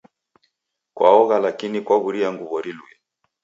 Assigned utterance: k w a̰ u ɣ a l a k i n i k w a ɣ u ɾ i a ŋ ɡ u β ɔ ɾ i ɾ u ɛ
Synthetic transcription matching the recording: k w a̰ ɔ ɣ a l a k i n i k w a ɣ u ɾ i a ŋ ɡ u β ɔ ɾ i l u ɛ